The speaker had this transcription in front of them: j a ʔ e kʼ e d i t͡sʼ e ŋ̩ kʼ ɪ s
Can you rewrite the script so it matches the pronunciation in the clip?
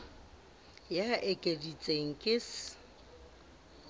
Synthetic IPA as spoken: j a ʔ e kʼ e d i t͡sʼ e ŋ̩ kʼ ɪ s